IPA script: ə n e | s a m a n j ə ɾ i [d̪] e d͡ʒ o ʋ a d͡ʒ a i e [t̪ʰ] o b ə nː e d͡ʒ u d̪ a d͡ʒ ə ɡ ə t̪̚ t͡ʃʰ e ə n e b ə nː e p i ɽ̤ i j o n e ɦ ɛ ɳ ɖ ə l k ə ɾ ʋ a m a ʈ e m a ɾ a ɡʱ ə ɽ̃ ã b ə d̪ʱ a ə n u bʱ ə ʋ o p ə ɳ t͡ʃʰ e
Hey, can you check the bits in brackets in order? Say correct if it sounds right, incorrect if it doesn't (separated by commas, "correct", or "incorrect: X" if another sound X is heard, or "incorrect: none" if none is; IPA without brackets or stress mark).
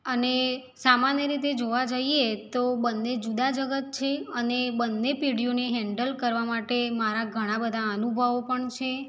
incorrect: t̪, incorrect: t̪